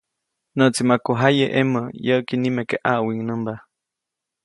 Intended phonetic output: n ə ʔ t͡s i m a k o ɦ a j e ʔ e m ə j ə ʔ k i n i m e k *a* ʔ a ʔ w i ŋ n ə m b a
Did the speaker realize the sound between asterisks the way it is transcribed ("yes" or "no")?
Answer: no